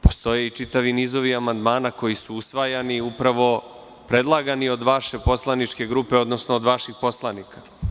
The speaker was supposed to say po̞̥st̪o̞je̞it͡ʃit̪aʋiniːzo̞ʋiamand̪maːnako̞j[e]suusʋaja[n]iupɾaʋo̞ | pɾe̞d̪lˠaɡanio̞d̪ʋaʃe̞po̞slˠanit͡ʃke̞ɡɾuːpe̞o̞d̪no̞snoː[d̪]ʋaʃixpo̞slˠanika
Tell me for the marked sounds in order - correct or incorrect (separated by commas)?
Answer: incorrect, correct, correct